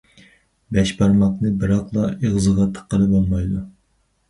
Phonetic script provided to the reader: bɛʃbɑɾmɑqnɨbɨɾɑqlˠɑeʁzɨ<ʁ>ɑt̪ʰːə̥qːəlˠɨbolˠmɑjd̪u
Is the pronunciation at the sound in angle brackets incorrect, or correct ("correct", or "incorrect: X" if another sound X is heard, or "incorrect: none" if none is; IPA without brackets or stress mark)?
correct